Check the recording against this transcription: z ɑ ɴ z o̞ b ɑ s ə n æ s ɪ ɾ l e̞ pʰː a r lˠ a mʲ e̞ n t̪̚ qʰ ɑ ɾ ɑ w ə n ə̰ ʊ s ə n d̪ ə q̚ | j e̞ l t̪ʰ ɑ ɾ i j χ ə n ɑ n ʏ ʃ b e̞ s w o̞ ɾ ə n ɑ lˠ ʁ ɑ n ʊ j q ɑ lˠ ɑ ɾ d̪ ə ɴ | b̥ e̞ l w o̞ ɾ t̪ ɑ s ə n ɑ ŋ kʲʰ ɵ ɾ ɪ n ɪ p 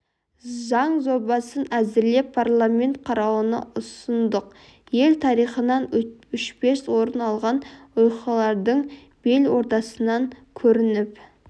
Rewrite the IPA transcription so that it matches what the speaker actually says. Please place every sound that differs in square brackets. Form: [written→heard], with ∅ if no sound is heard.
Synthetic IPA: z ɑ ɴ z o̞ b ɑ s ə n æ [s→z] ɪ ɾ l e̞ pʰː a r lˠ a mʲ e̞ n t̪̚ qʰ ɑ ɾ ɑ w ə n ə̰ ʊ s ə n d̪ ə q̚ | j e̞ l t̪ʰ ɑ ɾ i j χ ə n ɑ n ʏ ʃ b e̞ s w o̞ ɾ ə n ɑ lˠ ʁ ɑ n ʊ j q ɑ lˠ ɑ ɾ d̪ ə ɴ | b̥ e̞ l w o̞ ɾ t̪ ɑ s ə n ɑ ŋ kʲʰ ɵ ɾ ɪ n ɪ p